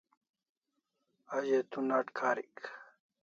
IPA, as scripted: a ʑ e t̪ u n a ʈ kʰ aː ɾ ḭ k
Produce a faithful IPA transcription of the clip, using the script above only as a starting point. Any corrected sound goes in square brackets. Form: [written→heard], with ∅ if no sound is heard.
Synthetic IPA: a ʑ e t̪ u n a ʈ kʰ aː ɾ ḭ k